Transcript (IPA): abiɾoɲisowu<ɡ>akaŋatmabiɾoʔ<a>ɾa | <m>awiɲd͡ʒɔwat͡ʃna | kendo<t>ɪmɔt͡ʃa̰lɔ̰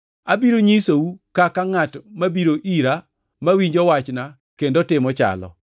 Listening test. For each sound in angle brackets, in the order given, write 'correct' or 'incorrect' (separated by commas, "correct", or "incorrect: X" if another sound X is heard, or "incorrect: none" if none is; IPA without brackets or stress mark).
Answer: incorrect: k, incorrect: i, correct, correct